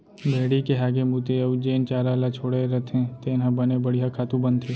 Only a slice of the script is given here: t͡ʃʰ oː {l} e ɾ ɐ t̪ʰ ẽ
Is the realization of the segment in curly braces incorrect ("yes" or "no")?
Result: yes